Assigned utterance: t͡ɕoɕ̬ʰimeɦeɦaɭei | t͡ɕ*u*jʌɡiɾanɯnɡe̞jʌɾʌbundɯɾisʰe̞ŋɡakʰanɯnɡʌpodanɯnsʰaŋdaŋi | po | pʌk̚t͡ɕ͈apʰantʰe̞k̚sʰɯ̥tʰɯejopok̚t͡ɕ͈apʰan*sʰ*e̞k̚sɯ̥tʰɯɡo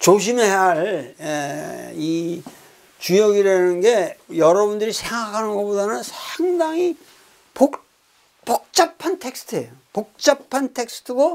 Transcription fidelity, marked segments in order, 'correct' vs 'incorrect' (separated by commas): correct, incorrect